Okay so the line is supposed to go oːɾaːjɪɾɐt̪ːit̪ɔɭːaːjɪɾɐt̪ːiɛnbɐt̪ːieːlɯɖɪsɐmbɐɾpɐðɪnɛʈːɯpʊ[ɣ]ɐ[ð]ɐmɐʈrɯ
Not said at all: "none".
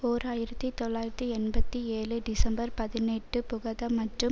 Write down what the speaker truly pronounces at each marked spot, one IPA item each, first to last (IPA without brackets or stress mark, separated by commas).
ɣ, ð